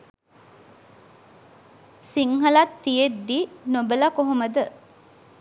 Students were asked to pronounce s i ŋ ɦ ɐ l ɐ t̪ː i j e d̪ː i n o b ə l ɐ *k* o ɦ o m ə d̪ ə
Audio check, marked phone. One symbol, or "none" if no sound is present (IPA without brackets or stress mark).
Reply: k